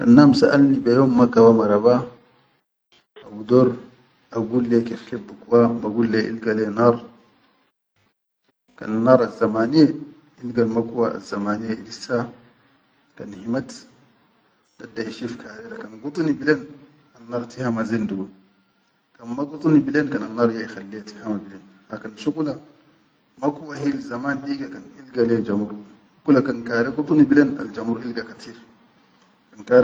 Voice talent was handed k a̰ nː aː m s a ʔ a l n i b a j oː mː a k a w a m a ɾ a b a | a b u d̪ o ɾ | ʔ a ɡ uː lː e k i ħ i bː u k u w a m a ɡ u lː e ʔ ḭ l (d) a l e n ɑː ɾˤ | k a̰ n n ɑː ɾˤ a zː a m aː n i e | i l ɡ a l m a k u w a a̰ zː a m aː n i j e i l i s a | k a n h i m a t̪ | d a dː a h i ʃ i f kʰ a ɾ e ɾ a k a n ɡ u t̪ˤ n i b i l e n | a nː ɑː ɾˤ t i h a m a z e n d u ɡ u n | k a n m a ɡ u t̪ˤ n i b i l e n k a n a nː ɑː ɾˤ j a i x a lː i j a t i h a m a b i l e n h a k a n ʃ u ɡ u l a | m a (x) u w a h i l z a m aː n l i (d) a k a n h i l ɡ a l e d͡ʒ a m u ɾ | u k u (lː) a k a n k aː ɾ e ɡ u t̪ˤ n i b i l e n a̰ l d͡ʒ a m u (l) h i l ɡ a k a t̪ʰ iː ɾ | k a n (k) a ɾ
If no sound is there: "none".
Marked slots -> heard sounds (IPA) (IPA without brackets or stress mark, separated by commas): ɡ, k, ɡ, l, ɾ, k